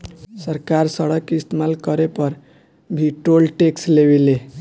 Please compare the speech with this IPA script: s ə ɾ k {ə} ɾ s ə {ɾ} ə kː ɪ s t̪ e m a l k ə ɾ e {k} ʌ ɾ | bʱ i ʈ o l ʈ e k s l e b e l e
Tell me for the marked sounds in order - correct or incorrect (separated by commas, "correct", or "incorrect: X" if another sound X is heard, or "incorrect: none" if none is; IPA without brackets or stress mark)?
incorrect: a, incorrect: ɽ, incorrect: p